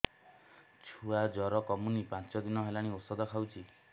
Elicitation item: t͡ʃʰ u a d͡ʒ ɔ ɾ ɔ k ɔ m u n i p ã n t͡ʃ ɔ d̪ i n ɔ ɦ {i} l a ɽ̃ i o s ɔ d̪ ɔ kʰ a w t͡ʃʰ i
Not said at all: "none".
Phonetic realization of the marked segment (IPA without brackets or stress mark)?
e